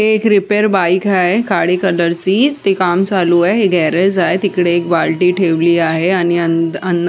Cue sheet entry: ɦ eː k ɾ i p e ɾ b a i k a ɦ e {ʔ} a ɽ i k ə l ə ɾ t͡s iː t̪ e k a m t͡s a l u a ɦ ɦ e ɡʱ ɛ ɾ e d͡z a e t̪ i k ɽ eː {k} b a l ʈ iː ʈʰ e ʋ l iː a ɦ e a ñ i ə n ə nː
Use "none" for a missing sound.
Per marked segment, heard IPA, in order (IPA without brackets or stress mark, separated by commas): k, k